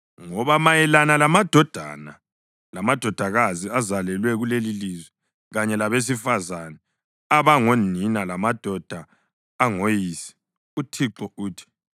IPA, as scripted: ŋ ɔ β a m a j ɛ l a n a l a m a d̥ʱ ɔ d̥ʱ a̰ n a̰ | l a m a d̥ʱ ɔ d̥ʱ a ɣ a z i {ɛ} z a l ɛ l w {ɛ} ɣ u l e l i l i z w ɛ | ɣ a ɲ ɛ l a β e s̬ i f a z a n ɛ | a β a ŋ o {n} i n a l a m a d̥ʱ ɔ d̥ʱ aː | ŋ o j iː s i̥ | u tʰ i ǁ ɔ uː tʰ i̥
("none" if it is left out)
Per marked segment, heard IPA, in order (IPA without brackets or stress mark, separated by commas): a, ɛ, n